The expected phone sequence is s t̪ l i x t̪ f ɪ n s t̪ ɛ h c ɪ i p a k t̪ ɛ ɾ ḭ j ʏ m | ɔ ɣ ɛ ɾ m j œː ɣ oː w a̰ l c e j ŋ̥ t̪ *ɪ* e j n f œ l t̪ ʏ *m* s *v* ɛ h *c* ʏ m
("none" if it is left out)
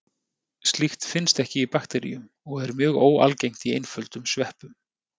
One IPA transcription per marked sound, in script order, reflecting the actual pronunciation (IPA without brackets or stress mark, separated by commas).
i, m, v, p